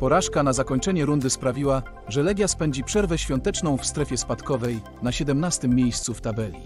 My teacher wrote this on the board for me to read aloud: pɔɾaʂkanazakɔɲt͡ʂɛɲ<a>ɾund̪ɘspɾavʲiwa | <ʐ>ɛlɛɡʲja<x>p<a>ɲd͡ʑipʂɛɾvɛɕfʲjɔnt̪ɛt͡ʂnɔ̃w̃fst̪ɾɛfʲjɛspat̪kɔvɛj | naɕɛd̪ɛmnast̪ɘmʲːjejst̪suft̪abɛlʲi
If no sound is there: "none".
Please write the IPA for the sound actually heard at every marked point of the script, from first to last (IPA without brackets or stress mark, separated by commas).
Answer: ɛ, ʐ, s, ɛ